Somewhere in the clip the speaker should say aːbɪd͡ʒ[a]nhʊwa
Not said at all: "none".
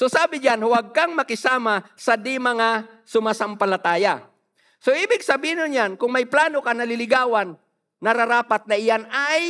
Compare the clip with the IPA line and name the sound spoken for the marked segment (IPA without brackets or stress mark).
a